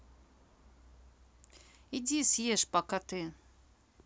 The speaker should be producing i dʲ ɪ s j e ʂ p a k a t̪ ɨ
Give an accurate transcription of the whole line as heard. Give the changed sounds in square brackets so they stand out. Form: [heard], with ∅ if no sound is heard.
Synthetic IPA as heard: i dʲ [i] s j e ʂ p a k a t̪ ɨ